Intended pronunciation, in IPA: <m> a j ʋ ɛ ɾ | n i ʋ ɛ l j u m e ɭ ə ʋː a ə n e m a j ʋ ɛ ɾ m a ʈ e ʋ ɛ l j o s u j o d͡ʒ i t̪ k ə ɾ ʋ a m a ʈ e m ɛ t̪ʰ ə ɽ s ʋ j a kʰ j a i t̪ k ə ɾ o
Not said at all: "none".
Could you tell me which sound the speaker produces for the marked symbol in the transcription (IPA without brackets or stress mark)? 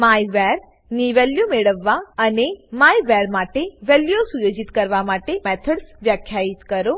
m